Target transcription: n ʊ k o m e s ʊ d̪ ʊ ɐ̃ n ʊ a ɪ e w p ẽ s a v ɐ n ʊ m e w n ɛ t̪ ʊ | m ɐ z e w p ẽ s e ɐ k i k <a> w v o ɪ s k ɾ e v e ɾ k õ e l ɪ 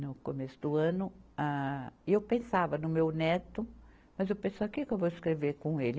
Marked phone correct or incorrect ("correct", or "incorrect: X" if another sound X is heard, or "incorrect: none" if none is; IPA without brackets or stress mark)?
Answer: incorrect: e